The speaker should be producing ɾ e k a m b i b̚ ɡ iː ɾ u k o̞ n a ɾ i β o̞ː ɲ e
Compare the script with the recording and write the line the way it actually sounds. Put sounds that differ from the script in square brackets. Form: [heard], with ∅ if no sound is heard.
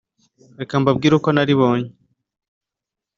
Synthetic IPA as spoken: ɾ e k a m b [a] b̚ ɡ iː ɾ u k o̞ n a ɾ i β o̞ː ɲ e